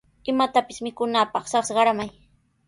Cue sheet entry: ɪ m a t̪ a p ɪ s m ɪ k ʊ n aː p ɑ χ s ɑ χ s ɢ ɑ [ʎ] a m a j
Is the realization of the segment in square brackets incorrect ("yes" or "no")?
yes